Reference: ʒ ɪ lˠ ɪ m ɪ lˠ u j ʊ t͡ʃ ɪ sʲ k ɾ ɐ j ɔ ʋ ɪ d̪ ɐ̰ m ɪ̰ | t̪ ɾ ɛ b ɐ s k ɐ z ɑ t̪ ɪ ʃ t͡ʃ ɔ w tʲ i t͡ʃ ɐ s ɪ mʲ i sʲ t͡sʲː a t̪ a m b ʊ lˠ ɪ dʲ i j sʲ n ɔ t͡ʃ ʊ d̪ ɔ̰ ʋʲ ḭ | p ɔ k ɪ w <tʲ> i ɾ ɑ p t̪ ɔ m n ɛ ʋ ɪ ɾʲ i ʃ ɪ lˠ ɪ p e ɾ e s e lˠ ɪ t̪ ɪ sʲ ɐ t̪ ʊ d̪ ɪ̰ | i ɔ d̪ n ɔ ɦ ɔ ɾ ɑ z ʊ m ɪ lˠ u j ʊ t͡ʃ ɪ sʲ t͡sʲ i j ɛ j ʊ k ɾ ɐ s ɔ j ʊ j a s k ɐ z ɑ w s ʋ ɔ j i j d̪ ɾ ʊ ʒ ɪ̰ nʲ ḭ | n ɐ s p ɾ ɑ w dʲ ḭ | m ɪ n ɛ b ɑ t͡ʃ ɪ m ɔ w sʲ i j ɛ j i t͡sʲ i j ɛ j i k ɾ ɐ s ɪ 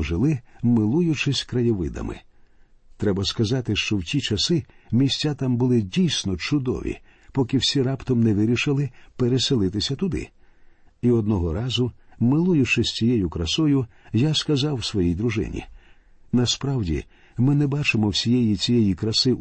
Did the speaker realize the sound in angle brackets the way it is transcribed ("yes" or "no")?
no